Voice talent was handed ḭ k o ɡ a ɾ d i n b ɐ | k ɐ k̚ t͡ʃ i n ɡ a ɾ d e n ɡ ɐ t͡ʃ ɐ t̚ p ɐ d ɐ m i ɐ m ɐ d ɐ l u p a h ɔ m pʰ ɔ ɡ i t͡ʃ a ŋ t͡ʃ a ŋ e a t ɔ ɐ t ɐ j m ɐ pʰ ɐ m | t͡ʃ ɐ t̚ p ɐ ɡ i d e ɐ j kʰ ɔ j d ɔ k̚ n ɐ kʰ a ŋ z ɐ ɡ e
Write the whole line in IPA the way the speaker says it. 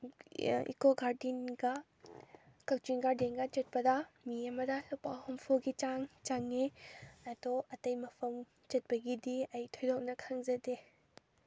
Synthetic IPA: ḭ k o ɡ a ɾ d i n ɡ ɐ | k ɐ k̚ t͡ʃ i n ɡ a ɾ d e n ɡ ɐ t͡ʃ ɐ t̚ p ɐ d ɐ m i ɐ m ɐ d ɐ l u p a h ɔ m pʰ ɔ ɡ i t͡ʃ a ŋ t͡ʃ a ŋ e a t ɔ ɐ t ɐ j m ɐ pʰ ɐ m | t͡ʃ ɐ t̚ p ɐ ɡ i d i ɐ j tʰ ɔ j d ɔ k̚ n ɐ kʰ a ŋ z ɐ d e